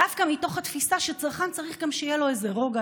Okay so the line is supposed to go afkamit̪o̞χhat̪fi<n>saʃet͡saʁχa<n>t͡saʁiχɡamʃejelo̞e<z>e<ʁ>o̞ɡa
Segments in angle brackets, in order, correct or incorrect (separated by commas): incorrect, correct, correct, correct